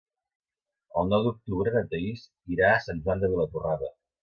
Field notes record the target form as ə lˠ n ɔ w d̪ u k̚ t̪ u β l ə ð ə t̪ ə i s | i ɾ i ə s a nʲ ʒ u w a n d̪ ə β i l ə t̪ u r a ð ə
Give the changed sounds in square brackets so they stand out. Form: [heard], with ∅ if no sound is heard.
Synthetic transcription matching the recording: ə lˠ n ɔ w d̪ u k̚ t̪ u β [ɾ] ə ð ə t̪ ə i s | i ɾ [a] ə s a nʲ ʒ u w a n d̪ ə β i l ə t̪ u r a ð ə